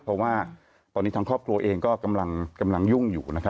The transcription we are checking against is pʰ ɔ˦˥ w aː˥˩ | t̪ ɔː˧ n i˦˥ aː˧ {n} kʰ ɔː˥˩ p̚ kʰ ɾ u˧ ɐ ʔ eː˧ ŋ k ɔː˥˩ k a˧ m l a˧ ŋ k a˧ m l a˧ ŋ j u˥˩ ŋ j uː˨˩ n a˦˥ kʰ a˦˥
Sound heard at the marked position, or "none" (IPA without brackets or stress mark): ŋ